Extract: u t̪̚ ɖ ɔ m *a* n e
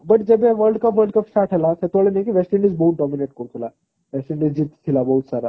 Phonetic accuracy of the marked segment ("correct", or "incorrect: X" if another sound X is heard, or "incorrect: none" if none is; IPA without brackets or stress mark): incorrect: i